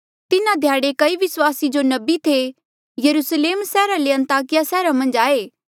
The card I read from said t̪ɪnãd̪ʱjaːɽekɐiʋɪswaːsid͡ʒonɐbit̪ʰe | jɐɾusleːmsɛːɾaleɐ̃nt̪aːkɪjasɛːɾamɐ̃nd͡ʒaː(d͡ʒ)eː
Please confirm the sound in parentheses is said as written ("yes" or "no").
no